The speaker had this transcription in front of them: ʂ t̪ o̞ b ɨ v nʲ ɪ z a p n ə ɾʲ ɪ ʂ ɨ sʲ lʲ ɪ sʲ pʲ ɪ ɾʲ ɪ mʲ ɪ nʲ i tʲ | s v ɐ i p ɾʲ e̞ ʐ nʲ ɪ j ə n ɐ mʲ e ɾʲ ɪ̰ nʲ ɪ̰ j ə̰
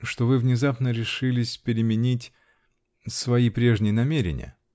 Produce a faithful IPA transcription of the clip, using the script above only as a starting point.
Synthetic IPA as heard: ʂ t̪ o̞ v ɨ v nʲ ɪ z a p n ə ɾʲ ɪ ʂ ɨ lʲ ɪ sʲ pʲ ɪ ɾʲ ɪ mʲ ɪ nʲ i tʲ | s v ɐ i p ɾʲ e̞ ʐ nʲ ɪ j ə n ɐ mʲ e ɾʲ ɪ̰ nʲ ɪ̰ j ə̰